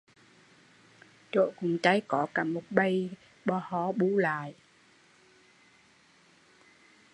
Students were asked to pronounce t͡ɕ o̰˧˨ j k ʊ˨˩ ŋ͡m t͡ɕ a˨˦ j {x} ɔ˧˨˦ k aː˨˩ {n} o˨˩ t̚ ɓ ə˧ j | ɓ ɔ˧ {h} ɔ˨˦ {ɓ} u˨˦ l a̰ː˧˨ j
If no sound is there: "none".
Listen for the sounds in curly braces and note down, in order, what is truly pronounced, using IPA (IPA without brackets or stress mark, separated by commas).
k, m, h, ɓ